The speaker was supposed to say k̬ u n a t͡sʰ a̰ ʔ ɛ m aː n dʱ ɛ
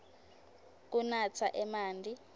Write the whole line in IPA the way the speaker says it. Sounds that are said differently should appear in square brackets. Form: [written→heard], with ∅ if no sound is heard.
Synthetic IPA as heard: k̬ u n a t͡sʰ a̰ ʔ ɛ m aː n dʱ [ɛ→i]